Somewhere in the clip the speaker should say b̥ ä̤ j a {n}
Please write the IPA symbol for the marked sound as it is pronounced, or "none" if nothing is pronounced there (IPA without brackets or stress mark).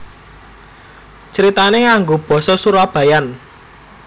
n